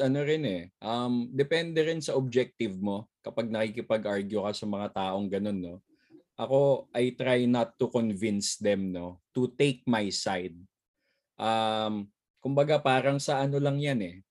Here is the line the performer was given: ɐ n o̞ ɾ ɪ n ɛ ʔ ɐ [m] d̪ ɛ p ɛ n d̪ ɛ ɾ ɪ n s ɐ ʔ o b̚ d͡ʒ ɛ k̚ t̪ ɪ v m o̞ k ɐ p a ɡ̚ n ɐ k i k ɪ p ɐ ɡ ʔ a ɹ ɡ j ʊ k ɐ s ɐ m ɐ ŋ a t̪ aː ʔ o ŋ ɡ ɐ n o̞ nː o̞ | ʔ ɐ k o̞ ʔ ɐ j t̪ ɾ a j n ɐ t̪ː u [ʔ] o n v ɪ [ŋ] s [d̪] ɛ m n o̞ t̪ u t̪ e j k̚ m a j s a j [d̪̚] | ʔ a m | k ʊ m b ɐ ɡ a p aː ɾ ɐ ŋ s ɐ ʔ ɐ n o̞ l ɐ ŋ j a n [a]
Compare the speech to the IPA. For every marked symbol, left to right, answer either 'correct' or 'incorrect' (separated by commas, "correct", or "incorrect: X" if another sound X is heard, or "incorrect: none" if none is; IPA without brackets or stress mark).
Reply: correct, incorrect: k, incorrect: n, correct, correct, incorrect: ɛ